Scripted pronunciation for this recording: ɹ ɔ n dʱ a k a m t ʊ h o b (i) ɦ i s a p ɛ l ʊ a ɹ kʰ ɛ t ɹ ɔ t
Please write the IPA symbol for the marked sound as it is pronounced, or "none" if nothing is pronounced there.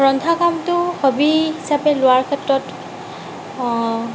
i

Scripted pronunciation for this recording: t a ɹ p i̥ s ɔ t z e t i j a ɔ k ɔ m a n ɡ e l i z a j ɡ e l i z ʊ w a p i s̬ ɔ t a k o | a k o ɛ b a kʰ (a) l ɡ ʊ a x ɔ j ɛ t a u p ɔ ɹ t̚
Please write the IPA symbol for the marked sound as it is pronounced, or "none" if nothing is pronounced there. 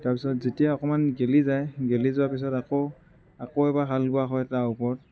a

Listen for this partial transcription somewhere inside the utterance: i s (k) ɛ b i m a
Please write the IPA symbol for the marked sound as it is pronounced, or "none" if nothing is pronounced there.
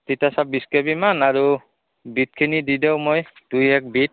k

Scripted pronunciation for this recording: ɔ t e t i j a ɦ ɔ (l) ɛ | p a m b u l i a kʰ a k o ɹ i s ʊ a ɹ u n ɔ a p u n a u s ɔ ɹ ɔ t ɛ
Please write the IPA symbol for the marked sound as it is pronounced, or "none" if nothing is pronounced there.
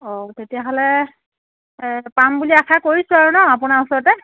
l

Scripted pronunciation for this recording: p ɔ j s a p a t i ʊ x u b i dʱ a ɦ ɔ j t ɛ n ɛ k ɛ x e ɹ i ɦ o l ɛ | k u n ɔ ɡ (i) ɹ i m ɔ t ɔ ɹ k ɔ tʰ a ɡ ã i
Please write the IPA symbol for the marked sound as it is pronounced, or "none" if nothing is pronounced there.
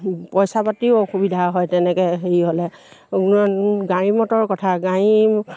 a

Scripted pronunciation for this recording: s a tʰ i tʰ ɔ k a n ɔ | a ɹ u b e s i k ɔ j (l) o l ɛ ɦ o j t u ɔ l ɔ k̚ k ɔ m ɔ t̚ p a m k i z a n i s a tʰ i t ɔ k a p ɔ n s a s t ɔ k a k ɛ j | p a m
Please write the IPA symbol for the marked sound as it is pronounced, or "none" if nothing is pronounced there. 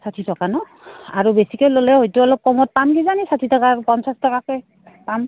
l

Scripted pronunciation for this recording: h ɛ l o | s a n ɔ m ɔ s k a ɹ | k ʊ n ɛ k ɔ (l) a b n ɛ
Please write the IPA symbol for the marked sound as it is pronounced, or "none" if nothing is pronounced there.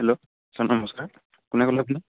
l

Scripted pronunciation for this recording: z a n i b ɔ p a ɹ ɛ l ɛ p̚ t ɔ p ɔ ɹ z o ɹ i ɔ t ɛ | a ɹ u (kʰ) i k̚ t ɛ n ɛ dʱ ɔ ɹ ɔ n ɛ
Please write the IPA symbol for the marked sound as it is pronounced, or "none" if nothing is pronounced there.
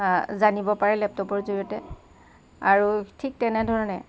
tʰ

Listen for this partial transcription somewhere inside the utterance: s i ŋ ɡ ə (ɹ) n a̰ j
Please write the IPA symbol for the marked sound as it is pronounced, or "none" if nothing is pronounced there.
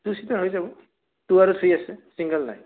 l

